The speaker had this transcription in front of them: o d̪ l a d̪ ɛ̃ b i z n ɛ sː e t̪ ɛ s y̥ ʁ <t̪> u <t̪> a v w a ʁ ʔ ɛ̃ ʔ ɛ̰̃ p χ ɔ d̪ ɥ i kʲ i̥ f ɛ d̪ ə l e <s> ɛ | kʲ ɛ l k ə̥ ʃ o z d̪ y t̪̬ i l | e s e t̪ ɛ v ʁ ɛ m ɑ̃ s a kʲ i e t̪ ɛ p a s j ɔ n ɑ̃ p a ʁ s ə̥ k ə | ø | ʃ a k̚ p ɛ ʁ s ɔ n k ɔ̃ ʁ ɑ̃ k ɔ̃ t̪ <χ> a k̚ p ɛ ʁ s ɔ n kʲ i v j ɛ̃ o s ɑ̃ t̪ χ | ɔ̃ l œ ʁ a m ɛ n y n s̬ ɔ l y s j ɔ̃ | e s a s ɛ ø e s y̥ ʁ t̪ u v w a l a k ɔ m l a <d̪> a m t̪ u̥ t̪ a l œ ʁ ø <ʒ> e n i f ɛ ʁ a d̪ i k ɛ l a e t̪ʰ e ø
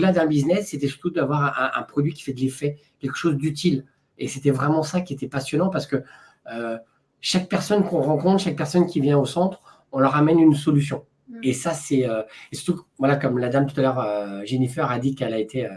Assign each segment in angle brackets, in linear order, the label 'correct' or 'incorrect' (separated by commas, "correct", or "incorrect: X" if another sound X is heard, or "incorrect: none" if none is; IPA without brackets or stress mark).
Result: correct, incorrect: d̪, incorrect: f, incorrect: ʃ, correct, correct